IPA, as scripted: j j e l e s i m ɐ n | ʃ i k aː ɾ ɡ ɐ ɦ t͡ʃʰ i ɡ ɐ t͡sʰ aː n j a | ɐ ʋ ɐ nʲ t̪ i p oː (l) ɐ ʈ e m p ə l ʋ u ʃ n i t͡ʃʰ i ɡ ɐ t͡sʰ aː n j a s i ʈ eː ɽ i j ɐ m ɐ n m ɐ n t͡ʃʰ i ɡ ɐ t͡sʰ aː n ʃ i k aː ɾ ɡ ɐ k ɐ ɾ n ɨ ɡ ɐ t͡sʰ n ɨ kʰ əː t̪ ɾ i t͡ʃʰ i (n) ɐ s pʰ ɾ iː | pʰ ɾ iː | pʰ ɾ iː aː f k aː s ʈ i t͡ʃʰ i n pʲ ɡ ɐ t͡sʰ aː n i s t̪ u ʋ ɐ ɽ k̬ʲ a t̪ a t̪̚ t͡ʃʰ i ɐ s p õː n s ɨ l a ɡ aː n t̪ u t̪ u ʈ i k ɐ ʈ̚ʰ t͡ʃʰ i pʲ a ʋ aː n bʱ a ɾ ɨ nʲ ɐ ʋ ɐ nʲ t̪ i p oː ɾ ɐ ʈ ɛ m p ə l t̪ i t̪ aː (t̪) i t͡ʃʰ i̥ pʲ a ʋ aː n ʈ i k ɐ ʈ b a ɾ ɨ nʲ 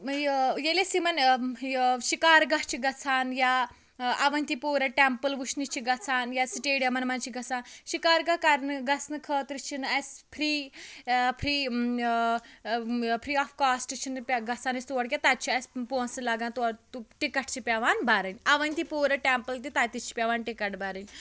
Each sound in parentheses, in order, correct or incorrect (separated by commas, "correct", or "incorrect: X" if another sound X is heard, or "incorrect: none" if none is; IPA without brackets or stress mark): incorrect: ɾ, correct, correct